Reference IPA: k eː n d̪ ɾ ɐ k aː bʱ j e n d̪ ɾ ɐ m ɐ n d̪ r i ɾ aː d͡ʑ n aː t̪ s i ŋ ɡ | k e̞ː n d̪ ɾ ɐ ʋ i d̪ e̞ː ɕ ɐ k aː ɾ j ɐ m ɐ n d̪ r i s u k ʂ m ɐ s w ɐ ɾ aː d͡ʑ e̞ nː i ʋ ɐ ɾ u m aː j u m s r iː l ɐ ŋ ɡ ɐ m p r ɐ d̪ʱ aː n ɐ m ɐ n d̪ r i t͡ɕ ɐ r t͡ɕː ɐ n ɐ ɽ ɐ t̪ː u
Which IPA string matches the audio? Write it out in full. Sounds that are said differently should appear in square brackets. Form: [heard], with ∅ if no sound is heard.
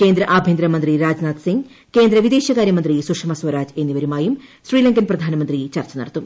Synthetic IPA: k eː n d̪ ɾ ɐ [ʔ] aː bʱ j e n d̪ ɾ ɐ m ɐ n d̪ r i ɾ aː d͡ʑ n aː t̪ s i ŋ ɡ | k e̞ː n d̪ ɾ ɐ ʋ i d̪ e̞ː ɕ ɐ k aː ɾ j ɐ m ɐ n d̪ r i s u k ʂ m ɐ s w ɐ ɾ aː d͡ʑ e̞ nː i ʋ ɐ ɾ u m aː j u m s r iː l ɐ ŋ ɡ ɐ [n] p r ɐ d̪ʱ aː n ɐ m ɐ n d̪ r i t͡ɕ ɐ r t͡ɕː ɐ n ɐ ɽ ɐ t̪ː u